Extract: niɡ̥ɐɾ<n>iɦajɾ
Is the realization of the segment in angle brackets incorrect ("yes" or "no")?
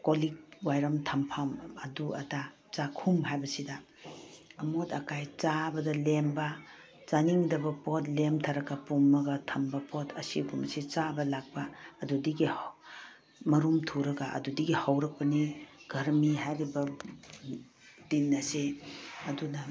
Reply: yes